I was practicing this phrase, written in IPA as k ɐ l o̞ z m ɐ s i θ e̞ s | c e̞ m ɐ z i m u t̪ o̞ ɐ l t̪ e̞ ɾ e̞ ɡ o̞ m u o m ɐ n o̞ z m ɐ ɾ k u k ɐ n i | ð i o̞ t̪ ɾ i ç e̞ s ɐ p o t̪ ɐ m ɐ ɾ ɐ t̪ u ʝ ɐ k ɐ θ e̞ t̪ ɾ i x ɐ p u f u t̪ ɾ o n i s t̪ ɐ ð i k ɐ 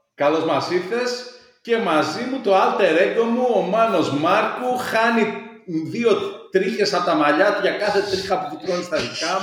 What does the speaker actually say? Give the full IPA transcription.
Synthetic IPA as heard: k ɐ l o̞ z m ɐ s i θ e̞ s | c e̞ m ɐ z i m u t̪ o̞ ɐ l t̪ e̞ ɾ e̞ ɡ o̞ m u o m ɐ n o̞ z m ɐ ɾ k u x ɐ n i | ð i o̞ t̪ ɾ i ç e̞ s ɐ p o t̪ ɐ m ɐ ʎ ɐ t̪ u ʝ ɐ k ɐ θ e̞ t̪ ɾ i x ɐ p u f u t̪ ɾ o n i s t̪ ɐ ð i k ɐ